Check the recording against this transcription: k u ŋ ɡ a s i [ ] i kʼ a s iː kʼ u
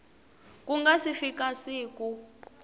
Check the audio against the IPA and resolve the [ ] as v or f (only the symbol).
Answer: f